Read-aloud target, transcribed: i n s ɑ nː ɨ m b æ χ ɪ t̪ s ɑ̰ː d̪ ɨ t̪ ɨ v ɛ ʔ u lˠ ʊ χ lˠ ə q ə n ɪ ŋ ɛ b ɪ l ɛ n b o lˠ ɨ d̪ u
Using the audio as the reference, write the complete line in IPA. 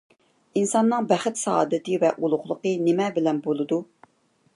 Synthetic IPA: i n s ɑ nː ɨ ŋ b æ χ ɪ t̪ s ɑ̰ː d̪ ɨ t̪ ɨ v ɛ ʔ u lˠ ʊ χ lˠ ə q ə n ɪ m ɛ b ɪ l ɛ n b o lˠ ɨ d̪ u